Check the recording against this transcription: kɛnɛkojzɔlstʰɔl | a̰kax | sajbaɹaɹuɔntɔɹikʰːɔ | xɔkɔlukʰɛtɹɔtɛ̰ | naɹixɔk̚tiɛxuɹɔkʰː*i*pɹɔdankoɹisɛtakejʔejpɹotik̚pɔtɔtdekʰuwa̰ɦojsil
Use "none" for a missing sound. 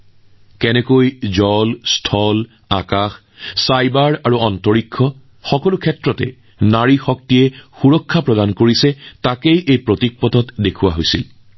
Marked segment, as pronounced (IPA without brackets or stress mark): a